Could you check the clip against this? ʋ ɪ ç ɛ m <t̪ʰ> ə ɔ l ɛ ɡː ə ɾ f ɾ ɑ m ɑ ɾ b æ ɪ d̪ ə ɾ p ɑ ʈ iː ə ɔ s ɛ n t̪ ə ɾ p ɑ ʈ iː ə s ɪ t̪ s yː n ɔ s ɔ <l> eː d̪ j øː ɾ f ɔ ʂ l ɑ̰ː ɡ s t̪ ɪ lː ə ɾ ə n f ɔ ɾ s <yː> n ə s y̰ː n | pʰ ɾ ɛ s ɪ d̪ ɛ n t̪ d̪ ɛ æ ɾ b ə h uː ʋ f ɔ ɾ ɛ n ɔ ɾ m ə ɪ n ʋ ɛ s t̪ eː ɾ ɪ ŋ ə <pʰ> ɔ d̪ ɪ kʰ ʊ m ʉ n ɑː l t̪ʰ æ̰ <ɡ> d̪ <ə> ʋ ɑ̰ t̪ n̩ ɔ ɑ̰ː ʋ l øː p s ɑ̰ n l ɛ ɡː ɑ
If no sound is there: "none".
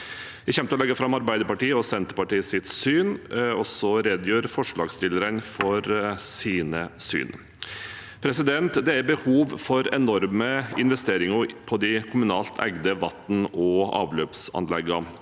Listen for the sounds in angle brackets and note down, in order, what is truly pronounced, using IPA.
t̪, ɾ, iː, pʰ, ɡ, ə

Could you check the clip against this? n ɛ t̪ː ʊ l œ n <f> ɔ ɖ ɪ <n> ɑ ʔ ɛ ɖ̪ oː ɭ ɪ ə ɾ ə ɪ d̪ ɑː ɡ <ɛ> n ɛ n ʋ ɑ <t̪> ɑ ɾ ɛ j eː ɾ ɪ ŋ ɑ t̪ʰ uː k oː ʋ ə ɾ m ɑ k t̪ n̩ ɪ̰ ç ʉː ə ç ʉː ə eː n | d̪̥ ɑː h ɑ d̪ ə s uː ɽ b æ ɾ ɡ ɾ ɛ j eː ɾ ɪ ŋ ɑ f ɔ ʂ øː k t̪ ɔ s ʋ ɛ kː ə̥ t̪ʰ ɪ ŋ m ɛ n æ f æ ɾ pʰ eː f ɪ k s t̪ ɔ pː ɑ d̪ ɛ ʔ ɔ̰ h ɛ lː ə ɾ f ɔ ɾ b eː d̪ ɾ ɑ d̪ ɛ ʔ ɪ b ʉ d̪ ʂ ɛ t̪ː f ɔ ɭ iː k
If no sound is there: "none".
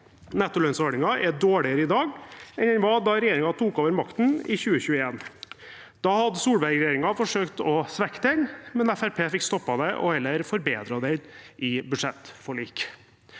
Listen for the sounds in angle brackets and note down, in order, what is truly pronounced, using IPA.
s, ŋ, ɛ, d̪

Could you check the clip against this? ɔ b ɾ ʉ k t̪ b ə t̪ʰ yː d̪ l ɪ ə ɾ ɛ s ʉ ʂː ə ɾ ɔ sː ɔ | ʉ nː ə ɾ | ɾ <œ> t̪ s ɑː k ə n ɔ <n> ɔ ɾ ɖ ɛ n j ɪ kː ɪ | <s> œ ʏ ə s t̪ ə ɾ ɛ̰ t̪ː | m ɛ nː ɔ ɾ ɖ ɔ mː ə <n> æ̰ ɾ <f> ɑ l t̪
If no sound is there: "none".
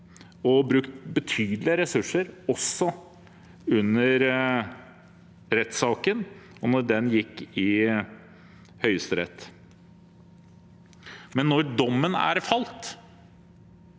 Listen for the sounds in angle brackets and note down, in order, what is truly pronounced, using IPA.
ɛ, n, h, n, f

